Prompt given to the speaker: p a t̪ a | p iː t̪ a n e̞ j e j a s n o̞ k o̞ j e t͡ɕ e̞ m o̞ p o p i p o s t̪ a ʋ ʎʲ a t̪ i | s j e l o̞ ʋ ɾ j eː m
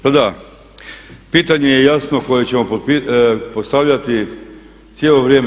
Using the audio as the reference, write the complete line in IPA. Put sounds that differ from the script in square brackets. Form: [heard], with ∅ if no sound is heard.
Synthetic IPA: p a [d̪] a | p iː t̪ a [ɲ] e̞ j e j a s n o̞ k o̞ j e t͡ɕ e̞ m o̞ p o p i p o s t̪ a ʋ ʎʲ a t̪ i | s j e l o̞ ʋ ɾ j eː m